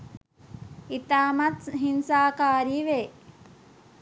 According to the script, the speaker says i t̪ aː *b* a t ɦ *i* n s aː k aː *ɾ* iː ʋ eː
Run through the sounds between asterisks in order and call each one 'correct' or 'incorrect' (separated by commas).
incorrect, correct, correct